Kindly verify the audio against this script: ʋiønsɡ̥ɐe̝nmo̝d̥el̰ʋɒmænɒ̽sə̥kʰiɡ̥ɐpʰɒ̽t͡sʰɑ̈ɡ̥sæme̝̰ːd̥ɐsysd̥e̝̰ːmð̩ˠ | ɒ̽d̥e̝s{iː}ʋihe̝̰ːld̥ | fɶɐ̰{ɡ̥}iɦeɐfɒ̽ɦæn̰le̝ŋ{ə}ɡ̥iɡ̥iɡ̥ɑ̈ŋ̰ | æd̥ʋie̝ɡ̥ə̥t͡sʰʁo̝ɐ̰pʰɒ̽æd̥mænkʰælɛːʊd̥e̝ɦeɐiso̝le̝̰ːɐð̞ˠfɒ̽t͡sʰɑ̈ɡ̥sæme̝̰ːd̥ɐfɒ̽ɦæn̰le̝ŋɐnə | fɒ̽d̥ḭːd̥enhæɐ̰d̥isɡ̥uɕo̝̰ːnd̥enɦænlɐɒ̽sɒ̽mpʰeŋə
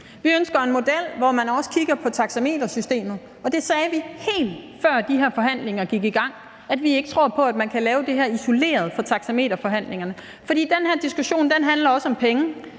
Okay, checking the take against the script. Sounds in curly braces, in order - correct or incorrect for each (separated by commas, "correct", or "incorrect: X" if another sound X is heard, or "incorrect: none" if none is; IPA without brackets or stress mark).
incorrect: ɛː, incorrect: d̥, incorrect: ɐ